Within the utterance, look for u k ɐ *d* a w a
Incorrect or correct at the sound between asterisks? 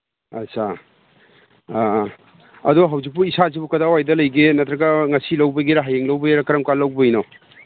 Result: correct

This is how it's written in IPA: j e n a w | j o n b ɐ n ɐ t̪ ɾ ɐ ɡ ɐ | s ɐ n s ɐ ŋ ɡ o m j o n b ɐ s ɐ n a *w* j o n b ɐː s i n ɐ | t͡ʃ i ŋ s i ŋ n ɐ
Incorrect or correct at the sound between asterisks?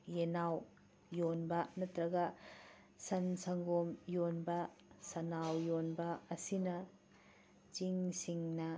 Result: correct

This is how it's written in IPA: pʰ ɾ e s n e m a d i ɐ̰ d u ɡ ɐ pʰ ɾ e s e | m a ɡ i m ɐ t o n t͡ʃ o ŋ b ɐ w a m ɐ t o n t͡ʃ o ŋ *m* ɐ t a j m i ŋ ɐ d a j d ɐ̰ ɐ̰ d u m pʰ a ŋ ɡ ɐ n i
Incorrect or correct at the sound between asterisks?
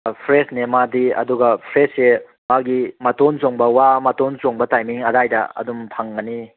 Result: incorrect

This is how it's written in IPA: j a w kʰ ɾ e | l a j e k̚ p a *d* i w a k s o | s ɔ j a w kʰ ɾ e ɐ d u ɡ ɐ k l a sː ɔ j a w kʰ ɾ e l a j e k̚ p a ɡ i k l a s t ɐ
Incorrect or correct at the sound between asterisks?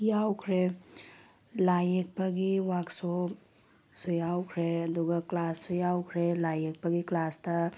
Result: incorrect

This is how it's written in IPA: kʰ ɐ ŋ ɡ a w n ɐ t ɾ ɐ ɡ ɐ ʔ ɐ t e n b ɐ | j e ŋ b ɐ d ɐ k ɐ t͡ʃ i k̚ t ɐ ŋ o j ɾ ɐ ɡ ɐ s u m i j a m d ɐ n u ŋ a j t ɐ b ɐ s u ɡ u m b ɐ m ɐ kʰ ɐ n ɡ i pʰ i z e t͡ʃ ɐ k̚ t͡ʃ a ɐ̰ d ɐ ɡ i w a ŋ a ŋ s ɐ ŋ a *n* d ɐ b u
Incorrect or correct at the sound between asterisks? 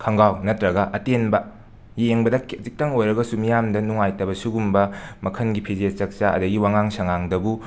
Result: incorrect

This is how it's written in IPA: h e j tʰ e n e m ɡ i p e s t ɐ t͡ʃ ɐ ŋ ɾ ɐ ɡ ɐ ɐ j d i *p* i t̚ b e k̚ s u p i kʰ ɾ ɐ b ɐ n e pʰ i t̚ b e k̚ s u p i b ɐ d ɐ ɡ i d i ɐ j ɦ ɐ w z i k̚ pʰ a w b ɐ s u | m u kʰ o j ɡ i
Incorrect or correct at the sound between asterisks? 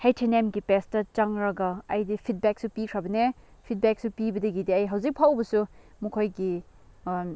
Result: incorrect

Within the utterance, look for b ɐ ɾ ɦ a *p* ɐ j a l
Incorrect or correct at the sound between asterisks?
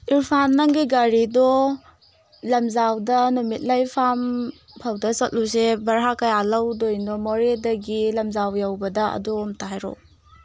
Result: incorrect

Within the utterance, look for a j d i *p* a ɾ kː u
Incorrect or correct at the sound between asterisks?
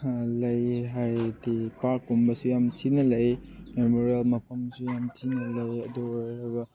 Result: correct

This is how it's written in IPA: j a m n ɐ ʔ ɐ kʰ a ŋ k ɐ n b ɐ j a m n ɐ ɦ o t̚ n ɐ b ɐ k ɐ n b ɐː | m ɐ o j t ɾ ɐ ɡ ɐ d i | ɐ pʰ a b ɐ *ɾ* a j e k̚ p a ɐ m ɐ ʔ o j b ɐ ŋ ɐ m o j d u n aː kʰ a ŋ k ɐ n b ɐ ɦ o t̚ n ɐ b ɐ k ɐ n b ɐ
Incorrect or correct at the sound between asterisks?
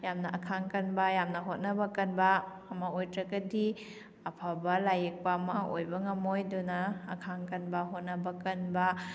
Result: incorrect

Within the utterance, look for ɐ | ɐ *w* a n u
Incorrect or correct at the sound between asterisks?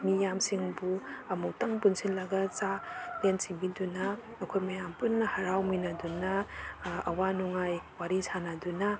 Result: correct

